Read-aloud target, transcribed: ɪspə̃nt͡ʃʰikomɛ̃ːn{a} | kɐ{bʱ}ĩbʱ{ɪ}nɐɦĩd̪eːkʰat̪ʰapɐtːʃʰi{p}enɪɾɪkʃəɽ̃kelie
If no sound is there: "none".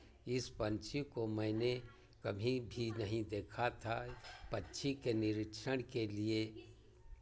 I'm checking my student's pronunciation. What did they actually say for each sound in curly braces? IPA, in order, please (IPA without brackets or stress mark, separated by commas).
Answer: e, bʱ, i, k